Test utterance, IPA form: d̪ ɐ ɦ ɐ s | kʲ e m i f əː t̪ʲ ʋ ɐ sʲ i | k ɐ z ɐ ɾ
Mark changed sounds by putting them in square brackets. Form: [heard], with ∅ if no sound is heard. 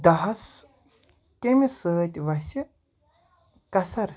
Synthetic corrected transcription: d̪ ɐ ɦ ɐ s | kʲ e m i [s] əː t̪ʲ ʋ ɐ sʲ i | k ɐ [s] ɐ ɾ